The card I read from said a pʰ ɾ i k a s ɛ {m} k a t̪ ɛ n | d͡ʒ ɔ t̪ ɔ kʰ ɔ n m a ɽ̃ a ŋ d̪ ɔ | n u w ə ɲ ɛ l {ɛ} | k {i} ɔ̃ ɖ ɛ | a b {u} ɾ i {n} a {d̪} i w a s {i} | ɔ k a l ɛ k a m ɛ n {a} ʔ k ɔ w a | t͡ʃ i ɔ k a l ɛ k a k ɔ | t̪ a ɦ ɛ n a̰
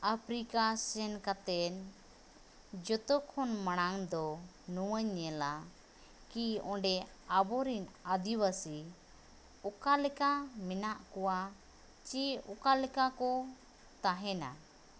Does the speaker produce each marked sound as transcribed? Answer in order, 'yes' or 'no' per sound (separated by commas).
no, no, yes, no, yes, yes, yes, yes